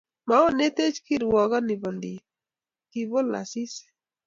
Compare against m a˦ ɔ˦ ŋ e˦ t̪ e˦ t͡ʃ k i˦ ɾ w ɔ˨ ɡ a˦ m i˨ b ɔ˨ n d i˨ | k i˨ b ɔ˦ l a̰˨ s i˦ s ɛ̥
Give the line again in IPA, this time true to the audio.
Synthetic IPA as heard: m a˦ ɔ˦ n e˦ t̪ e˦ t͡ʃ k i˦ ɾ w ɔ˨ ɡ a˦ n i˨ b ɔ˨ n d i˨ | k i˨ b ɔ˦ l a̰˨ s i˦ s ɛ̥